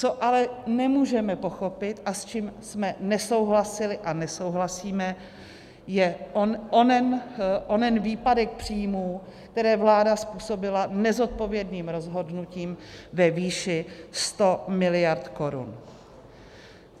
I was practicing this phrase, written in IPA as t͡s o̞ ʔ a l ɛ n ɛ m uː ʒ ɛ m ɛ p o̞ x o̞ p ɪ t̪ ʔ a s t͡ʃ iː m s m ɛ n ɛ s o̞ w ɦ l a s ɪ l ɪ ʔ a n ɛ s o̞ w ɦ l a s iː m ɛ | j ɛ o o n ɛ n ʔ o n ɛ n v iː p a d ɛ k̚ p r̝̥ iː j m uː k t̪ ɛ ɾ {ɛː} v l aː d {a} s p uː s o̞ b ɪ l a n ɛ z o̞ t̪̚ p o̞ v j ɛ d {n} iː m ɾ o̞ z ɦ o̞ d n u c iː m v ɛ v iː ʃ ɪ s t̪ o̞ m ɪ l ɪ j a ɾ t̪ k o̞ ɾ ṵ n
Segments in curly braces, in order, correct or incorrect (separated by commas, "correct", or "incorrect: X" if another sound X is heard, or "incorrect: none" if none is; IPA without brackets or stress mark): correct, correct, correct